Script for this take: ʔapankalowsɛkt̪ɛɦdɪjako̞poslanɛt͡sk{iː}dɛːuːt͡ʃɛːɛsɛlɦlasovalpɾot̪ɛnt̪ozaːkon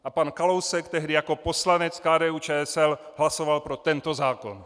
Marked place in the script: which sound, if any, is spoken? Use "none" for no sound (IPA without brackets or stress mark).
aː